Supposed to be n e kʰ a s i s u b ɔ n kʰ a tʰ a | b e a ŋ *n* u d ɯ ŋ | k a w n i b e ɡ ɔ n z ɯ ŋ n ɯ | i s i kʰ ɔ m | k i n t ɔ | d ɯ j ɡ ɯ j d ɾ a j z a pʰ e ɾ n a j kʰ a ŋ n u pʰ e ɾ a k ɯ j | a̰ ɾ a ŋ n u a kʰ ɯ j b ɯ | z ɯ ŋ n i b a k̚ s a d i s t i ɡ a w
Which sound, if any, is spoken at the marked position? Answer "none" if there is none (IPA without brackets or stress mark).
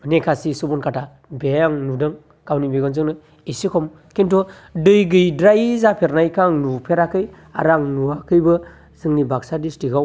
n